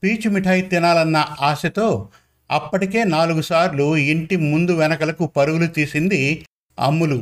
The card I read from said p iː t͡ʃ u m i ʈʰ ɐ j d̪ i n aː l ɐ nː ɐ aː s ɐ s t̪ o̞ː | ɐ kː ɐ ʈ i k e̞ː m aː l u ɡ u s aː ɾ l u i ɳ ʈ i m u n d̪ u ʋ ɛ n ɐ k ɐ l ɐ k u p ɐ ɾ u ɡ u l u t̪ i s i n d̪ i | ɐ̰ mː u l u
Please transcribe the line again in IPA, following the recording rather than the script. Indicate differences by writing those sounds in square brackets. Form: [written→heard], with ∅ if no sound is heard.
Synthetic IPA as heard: p iː t͡ʃ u m i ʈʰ ɐ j [d̪→t̪] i n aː l ɐ nː ɐ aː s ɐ [s→∅] t̪ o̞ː | ɐ [kː→pː] ɐ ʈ i k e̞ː [m→n] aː l u ɡ u s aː ɾ l u i ɳ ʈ i m u n d̪ u ʋ ɛ n ɐ k ɐ l ɐ k u p ɐ ɾ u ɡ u l u t̪ [i→iː] s i n d̪ i | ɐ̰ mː u l u